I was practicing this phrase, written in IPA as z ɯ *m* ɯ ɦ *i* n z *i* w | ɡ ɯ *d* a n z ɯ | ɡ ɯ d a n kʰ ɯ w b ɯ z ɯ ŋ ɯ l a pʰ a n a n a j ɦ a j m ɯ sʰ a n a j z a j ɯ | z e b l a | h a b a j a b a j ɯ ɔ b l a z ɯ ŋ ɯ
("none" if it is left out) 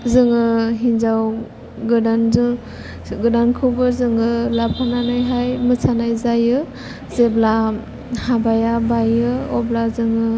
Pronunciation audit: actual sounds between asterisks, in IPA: ŋ, i, a, d

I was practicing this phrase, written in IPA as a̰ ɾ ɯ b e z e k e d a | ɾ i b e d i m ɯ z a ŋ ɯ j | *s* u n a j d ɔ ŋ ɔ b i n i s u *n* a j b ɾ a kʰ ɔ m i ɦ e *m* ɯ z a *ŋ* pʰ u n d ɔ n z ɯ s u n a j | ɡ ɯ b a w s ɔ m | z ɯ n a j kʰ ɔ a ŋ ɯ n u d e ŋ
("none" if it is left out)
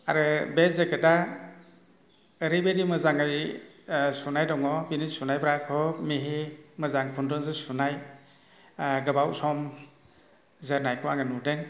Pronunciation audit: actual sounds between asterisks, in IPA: s, n, m, ŋ

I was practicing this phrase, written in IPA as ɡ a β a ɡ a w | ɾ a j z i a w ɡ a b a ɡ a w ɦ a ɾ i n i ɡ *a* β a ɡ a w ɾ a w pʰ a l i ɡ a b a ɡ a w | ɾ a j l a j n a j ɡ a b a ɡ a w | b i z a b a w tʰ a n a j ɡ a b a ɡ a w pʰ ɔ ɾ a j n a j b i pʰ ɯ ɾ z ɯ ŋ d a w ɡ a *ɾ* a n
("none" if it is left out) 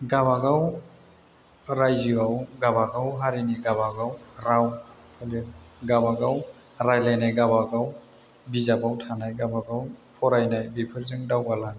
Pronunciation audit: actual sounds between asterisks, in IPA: a, l

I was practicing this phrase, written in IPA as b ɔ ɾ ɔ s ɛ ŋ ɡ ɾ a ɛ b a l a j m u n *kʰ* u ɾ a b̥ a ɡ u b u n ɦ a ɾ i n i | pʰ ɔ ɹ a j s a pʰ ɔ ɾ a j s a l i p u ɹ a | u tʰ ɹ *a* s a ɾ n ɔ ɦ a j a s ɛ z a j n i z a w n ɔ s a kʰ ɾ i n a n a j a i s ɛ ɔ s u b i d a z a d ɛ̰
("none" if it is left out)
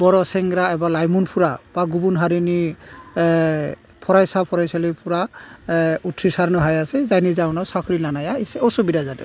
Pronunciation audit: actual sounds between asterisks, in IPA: pʰ, i

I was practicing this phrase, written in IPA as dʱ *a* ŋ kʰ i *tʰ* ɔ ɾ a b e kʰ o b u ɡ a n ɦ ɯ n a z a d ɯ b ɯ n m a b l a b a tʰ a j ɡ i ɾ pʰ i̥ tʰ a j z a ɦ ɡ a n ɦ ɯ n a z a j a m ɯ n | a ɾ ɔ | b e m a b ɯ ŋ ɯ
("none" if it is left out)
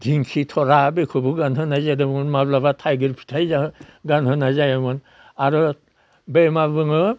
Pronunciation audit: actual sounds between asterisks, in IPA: i, tʰ

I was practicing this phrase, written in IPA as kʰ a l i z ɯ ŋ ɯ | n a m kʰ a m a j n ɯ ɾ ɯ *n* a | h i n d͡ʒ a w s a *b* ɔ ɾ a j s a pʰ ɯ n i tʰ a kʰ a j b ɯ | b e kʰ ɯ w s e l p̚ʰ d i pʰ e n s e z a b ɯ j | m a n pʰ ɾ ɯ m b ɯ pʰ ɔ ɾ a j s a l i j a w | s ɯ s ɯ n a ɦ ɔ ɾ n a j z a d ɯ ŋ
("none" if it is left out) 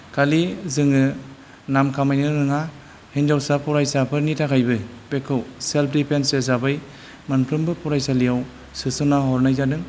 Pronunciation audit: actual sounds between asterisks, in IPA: ŋ, p

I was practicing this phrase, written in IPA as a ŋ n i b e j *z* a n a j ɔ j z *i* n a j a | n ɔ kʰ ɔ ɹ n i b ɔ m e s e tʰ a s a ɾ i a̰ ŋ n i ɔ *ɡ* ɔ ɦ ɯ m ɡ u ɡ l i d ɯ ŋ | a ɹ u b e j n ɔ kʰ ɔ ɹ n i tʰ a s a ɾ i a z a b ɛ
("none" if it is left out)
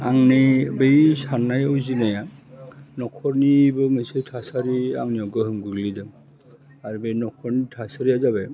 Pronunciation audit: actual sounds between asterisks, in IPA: s, i, ɡ

